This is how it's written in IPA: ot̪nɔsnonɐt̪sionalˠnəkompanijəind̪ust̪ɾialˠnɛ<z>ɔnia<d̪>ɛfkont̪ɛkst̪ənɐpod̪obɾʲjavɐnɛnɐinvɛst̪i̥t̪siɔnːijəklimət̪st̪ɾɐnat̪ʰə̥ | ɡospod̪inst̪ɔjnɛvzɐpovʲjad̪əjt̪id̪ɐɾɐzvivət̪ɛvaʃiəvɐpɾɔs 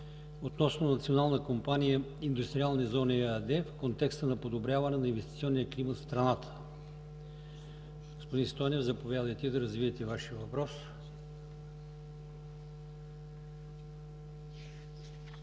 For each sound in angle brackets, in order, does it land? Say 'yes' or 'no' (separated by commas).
yes, yes